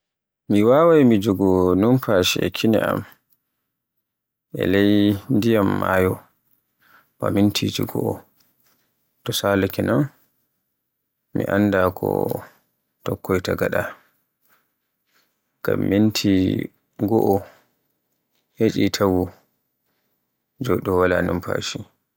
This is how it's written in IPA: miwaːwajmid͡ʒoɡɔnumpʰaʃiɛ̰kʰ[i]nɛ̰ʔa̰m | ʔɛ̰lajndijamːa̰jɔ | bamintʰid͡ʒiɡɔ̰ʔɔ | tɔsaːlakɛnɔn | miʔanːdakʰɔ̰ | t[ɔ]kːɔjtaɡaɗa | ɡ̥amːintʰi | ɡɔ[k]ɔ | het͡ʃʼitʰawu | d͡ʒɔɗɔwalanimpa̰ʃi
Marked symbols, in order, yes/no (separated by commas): yes, yes, no